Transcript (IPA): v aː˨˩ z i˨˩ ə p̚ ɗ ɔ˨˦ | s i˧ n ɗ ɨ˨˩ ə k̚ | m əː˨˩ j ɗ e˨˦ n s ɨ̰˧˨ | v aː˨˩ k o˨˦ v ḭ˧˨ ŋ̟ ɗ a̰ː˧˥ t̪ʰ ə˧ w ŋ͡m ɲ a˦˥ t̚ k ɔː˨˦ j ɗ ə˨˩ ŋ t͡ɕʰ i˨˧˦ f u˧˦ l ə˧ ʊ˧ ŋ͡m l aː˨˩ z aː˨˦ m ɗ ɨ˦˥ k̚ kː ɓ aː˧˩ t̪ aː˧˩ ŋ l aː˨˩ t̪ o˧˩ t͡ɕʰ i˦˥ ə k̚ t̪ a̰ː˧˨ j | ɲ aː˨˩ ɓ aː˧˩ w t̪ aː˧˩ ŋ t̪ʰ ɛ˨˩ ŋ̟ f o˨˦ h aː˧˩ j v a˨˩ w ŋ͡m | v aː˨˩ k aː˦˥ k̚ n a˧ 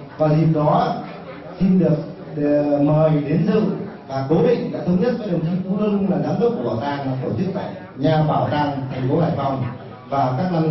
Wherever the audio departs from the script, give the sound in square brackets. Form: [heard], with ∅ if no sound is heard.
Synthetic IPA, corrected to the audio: v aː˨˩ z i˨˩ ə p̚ ɗ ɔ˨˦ | s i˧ n ɗ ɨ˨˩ ə k̚ | m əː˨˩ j ɗ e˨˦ n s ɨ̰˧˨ | v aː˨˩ k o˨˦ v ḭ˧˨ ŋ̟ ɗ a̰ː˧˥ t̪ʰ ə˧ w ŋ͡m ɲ [ə˦˥] t̚ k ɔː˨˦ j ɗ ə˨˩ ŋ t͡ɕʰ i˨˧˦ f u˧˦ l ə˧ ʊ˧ ŋ͡m l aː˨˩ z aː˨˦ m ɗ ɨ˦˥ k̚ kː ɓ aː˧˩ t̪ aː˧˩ ŋ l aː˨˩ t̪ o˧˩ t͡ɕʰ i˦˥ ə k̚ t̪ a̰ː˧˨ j | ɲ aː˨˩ ɓ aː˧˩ w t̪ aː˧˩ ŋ t̪ʰ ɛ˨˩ ŋ̟ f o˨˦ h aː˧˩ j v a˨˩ w ŋ͡m | v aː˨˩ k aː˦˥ k̚ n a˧

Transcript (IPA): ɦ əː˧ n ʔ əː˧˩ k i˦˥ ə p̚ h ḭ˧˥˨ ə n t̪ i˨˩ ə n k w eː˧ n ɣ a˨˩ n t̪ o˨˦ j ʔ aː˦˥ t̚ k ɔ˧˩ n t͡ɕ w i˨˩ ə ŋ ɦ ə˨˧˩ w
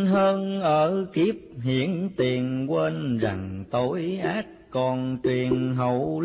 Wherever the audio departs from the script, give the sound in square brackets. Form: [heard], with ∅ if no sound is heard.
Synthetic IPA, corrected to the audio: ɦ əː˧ n ʔ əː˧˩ k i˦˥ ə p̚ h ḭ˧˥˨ ə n t̪ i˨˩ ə n k w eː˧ n [z] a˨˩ [ŋ] t̪ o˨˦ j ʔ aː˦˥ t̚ k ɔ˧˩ n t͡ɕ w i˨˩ ə [n] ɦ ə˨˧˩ w

